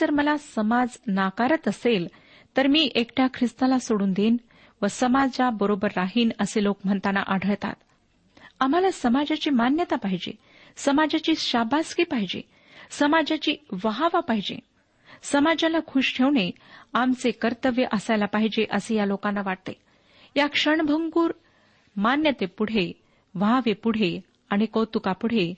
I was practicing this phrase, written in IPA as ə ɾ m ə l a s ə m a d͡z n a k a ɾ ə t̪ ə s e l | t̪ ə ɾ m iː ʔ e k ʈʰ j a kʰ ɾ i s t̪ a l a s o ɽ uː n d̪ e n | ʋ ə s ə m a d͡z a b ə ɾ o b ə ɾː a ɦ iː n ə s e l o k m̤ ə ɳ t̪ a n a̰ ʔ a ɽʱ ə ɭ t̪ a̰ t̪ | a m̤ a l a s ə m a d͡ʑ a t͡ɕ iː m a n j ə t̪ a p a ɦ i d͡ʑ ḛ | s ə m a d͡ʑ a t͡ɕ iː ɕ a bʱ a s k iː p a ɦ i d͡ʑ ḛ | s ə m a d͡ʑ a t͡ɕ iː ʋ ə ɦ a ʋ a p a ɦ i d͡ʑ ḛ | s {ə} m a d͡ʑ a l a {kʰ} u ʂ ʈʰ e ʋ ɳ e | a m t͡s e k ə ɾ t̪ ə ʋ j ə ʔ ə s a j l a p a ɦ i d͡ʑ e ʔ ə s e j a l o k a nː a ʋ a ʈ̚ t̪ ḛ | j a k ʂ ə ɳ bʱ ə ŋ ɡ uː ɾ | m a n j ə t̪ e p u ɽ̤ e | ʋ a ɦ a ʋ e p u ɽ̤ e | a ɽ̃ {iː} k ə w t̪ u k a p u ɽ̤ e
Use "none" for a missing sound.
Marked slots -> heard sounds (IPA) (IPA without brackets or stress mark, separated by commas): ə, kʰ, i